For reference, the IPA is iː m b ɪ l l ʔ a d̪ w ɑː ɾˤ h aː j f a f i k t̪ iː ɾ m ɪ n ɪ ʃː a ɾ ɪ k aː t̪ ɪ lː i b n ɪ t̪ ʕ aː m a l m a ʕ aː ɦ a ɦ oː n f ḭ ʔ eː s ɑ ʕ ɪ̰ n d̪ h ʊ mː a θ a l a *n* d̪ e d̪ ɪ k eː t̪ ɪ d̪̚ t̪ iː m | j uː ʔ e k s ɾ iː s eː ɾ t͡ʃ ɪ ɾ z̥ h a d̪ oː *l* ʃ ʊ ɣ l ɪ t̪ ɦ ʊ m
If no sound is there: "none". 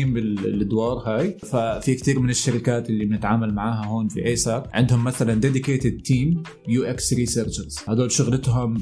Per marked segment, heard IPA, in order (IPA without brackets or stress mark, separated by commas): n, l